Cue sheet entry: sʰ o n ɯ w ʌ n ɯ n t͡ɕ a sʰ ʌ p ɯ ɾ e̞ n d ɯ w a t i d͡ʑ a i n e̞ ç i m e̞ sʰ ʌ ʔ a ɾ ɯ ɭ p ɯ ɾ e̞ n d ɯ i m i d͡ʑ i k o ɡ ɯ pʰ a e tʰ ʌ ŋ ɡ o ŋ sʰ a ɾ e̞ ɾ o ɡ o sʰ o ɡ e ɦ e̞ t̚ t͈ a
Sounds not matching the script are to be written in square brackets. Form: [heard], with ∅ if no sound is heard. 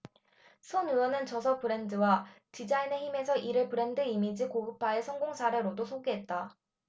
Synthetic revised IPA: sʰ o n ɯ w ʌ n ɯ n t͡ɕ [ʌ] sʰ ʌ p ɯ ɾ e̞ n d ɯ w a t i d͡ʑ a i n e̞ ç i m e̞ sʰ ʌ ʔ [i] ɾ ɯ ɭ p ɯ ɾ e̞ n d ɯ i m i d͡ʑ i k o ɡ ɯ pʰ a e [sʰ] ʌ ŋ ɡ o ŋ sʰ a ɾ e̞ ɾ o [d] o sʰ o ɡ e ɦ e̞ t̚ t͈ a